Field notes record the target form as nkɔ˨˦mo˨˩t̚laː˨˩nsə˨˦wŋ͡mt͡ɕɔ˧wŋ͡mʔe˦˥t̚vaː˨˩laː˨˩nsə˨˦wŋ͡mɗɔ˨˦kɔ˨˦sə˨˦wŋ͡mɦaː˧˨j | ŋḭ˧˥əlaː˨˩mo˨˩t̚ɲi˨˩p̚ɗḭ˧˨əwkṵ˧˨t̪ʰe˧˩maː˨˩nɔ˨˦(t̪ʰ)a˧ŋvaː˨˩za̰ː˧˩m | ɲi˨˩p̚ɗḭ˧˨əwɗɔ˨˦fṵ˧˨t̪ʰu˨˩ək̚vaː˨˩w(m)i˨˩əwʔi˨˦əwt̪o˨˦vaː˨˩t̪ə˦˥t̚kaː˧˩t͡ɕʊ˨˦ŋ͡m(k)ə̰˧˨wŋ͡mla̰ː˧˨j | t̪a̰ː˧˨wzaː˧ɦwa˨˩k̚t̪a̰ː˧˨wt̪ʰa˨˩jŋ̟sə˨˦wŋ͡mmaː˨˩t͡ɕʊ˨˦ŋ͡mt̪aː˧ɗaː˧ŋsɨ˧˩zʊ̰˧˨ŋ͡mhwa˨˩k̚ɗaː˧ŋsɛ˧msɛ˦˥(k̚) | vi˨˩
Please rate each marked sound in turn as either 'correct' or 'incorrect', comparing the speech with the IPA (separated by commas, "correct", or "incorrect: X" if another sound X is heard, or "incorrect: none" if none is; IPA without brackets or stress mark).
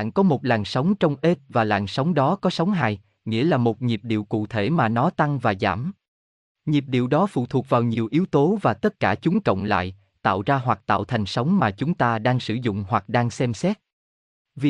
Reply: incorrect: t̪, incorrect: ɲ, correct, incorrect: t̚